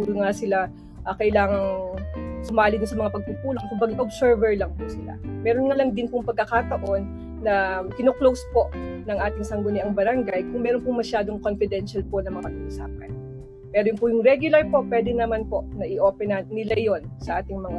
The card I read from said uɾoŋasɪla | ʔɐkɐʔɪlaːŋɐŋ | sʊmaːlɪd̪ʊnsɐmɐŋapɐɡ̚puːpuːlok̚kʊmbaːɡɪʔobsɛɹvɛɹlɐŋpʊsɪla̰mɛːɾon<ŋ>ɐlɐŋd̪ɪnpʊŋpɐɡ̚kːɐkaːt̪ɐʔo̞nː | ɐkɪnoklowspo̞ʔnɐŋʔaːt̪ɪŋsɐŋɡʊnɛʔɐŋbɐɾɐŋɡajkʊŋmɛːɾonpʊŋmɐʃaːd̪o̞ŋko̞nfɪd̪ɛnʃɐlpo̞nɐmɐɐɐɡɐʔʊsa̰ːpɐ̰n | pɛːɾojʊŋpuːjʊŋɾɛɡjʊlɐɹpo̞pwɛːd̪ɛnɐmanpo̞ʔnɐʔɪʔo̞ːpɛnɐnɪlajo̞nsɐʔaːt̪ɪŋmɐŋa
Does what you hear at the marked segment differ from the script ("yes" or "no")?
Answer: no